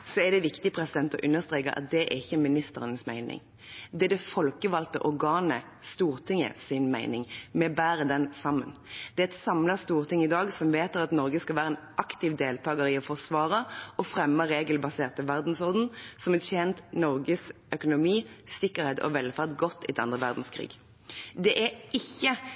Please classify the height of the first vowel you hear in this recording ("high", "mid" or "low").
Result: mid